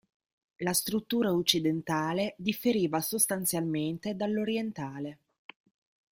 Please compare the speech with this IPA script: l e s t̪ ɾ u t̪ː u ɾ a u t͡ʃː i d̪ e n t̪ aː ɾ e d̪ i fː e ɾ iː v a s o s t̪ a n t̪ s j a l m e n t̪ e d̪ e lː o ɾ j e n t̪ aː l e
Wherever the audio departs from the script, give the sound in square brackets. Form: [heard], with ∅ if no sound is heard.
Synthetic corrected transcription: l [a] s t̪ ɾ u t̪ː [uː] ɾ a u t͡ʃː i d̪ e n t̪ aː [l] e d̪ i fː e ɾ iː v a s o s t̪ a n t̪ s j a l m e n t̪ e d̪ [a] lː o ɾ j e n t̪ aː l e